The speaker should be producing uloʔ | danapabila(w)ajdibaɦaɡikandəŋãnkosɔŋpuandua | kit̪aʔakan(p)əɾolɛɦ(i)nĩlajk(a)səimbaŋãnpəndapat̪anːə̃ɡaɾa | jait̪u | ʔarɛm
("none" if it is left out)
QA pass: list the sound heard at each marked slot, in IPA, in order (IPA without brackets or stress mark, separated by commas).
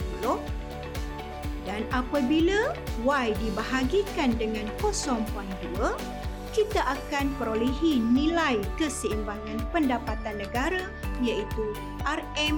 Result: w, p, i, ə